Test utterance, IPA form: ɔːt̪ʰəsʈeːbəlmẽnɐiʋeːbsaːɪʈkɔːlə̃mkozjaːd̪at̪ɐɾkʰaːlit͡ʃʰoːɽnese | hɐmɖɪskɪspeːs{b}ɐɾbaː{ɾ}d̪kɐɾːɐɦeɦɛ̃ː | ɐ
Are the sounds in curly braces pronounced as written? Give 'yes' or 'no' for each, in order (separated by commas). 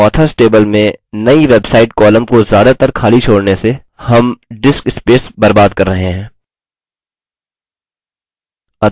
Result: yes, no